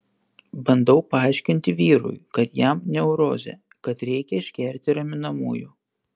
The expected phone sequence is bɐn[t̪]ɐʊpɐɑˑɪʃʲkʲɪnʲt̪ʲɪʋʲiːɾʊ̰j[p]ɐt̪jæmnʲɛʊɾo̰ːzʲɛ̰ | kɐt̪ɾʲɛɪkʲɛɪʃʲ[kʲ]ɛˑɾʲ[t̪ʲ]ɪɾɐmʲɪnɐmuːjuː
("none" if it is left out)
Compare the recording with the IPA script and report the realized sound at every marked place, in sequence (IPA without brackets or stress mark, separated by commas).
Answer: d̪, k, kʲ, t̪ʲ